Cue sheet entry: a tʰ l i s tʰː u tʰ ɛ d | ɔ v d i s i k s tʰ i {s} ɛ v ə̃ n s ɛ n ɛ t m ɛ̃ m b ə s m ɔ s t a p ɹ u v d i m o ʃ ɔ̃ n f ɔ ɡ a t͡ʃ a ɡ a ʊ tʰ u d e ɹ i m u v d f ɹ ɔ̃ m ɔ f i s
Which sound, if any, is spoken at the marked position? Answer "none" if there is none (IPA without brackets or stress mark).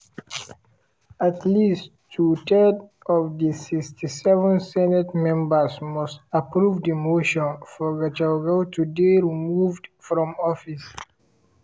s